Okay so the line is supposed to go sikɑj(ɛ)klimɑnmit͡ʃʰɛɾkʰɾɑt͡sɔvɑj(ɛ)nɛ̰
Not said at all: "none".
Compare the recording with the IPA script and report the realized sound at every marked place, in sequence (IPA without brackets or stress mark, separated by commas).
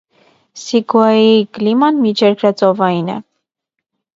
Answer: i, i